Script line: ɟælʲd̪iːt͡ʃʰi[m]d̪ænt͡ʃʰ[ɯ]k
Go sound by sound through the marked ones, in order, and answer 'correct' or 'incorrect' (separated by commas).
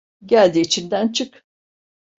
incorrect, correct